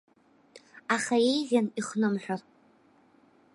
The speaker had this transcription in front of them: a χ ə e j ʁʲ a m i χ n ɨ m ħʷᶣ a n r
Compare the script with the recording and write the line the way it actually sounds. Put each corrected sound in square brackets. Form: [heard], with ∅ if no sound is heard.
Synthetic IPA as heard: a χ [a] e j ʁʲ a [n] i χ n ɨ m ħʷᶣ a [∅] r